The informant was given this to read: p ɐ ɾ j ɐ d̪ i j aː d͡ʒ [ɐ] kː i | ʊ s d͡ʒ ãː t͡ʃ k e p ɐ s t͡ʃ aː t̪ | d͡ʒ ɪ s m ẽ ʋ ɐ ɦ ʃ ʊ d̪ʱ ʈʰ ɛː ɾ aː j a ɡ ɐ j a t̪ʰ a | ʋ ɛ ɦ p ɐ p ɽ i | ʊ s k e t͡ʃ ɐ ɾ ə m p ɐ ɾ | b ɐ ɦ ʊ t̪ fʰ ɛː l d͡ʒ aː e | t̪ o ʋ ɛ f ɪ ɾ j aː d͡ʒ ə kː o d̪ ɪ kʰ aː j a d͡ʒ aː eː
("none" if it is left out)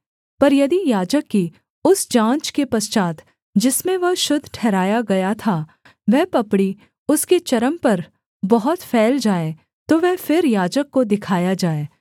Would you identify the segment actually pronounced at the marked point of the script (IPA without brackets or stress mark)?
ə